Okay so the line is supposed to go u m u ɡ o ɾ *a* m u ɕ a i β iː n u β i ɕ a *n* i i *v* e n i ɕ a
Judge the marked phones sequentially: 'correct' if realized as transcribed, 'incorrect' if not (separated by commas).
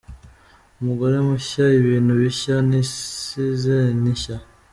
incorrect, correct, incorrect